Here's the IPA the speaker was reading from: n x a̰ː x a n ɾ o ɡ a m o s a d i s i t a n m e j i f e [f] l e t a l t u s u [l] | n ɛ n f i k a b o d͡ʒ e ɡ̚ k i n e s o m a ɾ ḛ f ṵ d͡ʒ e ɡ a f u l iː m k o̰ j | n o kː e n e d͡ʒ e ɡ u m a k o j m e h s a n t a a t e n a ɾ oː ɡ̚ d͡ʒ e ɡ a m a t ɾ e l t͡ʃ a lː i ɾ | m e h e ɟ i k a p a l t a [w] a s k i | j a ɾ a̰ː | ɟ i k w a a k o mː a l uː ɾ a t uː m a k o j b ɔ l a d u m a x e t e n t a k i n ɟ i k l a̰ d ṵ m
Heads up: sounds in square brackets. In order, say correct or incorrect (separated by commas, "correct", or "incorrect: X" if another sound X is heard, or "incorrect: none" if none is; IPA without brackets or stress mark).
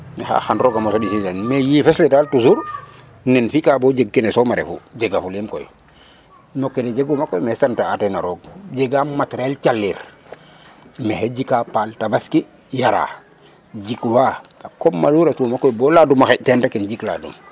incorrect: s, incorrect: ɾ, incorrect: b